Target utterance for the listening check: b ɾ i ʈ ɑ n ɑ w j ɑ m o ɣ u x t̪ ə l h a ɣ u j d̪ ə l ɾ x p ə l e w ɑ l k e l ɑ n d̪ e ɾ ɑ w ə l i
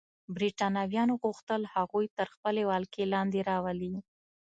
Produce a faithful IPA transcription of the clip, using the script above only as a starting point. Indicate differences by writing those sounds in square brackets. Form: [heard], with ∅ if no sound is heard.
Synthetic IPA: b ɾ i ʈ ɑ n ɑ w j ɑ [n] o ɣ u x t̪ ə l h a ɣ u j [t̪] ə [∅] ɾ x p ə l e w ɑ l k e l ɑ n d̪ e ɾ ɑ w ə l i